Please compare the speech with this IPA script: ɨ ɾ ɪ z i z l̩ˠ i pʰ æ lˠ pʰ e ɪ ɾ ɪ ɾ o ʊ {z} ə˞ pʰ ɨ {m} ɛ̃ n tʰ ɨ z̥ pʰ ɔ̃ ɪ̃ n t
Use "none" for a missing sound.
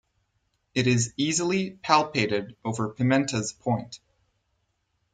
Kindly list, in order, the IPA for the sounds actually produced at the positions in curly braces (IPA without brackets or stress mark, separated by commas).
v, m